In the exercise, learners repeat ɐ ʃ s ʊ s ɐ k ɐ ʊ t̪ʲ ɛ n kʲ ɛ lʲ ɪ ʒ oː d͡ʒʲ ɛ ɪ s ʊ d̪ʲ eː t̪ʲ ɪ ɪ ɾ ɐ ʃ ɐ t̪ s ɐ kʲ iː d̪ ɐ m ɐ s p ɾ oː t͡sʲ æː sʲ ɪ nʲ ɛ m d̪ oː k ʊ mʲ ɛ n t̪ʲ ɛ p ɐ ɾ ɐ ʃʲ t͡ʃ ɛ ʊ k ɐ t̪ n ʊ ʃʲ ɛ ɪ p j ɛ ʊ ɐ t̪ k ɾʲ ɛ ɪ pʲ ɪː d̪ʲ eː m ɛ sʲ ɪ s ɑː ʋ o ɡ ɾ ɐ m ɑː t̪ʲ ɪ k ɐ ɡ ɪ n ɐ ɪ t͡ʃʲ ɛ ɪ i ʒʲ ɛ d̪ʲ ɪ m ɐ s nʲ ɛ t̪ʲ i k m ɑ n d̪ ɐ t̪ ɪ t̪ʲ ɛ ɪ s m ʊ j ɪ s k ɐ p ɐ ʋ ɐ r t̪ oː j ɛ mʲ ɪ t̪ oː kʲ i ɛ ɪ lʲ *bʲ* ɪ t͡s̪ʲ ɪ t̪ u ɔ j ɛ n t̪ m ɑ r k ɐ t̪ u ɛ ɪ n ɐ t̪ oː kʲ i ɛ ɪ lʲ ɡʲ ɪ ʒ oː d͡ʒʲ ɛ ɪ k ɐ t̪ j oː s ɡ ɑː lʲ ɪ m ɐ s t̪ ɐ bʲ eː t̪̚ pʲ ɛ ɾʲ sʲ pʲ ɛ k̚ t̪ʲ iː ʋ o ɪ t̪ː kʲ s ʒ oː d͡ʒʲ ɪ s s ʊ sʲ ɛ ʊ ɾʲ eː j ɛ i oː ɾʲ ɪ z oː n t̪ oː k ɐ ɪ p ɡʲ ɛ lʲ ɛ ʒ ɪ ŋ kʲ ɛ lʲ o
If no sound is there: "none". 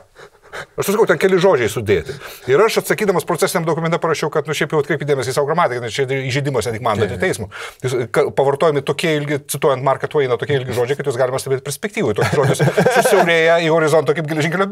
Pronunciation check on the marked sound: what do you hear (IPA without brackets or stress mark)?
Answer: ɡʲ